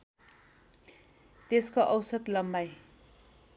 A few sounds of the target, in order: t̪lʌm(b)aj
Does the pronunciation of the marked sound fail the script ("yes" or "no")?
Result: no